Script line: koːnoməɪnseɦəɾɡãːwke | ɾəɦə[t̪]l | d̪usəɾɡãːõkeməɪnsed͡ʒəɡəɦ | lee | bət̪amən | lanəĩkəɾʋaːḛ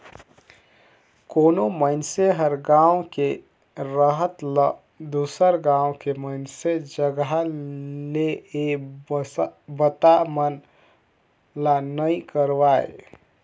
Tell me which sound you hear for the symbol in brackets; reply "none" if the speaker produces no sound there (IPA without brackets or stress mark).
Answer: t̪